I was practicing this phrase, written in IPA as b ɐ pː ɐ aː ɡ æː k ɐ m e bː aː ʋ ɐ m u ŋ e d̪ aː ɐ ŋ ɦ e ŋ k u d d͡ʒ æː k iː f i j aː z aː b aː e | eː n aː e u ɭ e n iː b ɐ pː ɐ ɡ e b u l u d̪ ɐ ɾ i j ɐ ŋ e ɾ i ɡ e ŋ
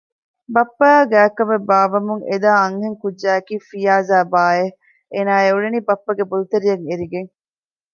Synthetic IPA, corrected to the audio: b ɐ pː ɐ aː ɡ æː k ɐ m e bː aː ʋ ɐ m u ŋ e d̪ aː ɐ ŋ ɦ e ŋ k u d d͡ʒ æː k iː f i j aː z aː b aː e | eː n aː e u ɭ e n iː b ɐ pː ɐ ɡ e b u l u t̪ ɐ ɾ i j ɐ ŋ e ɾ i ɡ e ŋ